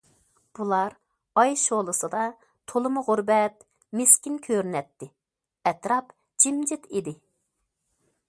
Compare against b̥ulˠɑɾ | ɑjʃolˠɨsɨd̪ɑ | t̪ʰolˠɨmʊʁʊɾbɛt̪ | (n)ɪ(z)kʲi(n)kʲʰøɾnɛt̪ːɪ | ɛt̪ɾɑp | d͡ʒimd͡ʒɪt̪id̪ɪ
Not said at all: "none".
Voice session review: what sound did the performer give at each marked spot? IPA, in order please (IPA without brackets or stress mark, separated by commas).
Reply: m, s, n